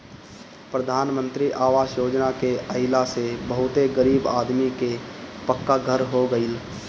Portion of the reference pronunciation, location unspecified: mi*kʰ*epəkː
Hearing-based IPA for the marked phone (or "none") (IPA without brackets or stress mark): k